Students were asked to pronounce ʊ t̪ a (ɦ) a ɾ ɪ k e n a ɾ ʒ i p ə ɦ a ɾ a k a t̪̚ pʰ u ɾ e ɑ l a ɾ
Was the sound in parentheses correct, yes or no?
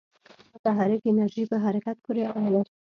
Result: yes